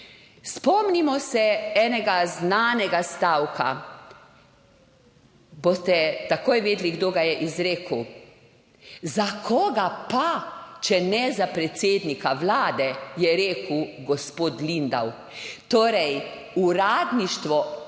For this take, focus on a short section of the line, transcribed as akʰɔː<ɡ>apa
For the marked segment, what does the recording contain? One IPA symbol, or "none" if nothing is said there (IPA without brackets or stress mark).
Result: ɡ